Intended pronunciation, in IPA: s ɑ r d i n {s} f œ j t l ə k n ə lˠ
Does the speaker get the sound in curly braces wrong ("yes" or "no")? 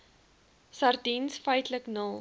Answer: no